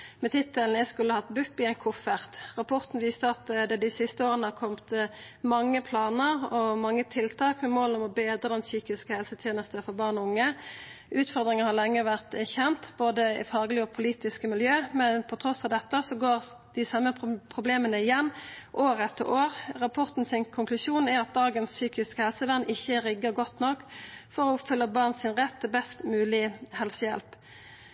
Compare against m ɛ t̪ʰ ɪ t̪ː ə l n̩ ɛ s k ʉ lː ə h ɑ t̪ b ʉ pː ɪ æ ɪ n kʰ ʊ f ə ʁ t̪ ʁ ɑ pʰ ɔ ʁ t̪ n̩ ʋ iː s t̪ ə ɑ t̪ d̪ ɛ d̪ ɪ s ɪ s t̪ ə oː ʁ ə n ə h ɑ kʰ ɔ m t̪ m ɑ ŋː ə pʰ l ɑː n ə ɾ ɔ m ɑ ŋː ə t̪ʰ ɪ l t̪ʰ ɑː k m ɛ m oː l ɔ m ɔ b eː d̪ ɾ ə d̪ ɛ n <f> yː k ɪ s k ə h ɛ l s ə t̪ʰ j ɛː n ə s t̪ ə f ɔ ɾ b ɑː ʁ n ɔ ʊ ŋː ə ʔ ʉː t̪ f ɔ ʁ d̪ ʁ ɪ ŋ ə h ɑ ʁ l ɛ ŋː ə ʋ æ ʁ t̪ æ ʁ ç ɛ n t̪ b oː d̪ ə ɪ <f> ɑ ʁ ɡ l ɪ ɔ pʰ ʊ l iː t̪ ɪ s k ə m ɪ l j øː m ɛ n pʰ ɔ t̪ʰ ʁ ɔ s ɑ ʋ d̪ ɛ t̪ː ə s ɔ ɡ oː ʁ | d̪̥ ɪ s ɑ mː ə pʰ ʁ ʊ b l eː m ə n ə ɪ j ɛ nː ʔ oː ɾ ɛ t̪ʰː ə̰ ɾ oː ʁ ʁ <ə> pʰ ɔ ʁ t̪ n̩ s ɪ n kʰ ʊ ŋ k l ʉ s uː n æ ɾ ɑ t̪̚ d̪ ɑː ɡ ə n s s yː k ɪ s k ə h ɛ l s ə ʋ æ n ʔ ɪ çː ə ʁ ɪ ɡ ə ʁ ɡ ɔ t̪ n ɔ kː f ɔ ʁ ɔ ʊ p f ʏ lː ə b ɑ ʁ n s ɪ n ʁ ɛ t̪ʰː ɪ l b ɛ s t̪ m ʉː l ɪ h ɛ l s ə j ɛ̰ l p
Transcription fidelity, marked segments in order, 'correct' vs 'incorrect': incorrect: s, correct, incorrect: ɑ

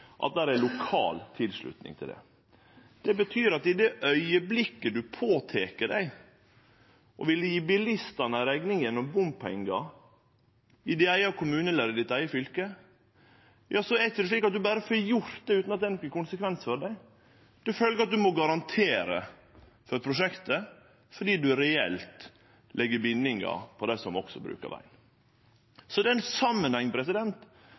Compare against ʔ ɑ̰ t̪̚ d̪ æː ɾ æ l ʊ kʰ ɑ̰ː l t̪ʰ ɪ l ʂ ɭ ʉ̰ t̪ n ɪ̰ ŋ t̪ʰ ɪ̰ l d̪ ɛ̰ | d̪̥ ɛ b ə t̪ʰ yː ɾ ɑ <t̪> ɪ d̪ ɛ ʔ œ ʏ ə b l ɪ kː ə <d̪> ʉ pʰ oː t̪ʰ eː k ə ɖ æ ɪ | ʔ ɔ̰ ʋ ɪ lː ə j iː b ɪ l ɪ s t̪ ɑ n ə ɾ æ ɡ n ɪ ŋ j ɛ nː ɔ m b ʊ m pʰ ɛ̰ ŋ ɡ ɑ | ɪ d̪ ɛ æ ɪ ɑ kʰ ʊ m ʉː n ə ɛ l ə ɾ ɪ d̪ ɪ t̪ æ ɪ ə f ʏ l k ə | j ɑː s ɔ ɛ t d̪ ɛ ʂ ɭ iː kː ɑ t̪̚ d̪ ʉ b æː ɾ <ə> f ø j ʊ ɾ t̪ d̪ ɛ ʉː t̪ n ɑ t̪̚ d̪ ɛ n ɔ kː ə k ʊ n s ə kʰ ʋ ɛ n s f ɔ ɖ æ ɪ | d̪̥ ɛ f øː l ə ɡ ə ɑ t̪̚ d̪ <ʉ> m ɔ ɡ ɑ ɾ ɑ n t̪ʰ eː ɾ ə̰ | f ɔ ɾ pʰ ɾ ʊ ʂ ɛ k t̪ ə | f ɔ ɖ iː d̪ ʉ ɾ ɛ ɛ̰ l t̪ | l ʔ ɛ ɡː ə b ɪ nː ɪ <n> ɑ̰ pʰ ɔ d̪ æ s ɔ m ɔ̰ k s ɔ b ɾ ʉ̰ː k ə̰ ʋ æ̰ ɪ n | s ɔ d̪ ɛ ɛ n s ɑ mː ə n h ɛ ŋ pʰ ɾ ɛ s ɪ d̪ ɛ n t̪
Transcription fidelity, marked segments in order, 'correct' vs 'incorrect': correct, correct, correct, correct, incorrect: ŋ

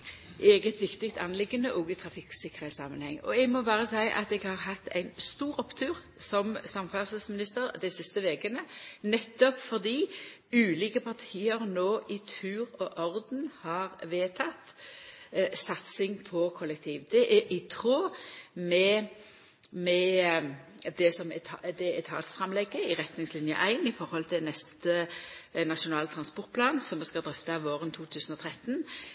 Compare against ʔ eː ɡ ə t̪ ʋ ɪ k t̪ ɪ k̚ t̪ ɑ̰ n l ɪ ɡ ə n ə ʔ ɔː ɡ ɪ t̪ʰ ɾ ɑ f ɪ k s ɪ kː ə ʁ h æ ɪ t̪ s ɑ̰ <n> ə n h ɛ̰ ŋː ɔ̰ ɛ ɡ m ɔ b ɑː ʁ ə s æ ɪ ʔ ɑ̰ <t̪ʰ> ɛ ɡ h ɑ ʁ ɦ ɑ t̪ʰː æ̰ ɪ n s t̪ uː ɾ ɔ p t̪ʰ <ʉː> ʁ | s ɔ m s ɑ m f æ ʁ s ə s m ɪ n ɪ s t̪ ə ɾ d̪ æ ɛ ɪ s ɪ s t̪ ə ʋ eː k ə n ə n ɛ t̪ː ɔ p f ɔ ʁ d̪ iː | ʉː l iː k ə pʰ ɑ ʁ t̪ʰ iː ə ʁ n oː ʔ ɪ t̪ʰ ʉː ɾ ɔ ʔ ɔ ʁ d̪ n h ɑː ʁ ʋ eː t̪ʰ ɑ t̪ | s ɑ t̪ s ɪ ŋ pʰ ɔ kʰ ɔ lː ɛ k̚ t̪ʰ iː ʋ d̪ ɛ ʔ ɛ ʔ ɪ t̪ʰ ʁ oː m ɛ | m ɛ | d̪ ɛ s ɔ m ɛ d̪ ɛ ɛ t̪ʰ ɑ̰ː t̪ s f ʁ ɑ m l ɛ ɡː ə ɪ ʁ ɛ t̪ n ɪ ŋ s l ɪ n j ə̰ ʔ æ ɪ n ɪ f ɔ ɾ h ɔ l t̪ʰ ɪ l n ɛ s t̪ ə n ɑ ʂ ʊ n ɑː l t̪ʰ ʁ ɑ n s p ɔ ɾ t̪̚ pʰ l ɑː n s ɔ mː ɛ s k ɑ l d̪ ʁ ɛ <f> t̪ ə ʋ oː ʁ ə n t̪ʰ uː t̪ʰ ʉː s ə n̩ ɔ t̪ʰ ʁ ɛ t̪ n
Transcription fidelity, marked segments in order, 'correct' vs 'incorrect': incorrect: m, incorrect: t̪, correct, correct

